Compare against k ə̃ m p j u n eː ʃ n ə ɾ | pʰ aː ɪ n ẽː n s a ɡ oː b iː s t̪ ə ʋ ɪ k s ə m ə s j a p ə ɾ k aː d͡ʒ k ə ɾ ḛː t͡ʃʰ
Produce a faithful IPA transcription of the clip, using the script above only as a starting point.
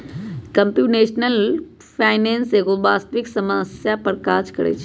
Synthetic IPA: k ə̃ m p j u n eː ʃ n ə l | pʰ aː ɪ n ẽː n s e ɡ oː b aː s t̪ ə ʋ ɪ k s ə m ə s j a p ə ɾ k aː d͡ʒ k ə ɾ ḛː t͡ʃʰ